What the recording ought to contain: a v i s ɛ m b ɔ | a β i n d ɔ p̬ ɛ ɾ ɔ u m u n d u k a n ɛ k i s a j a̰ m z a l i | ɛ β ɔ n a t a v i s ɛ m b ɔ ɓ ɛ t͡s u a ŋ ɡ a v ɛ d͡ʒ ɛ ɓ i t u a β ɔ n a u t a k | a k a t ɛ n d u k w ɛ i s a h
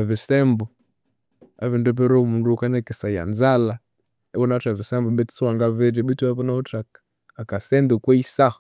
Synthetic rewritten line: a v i s ɛ m b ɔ | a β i n d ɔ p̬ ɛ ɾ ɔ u m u n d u k a n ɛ k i s a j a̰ n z a l a | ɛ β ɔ n a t a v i s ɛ m b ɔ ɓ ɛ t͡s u a ŋ ɡ a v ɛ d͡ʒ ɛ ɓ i t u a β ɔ n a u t a k | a k a s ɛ n d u k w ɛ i s a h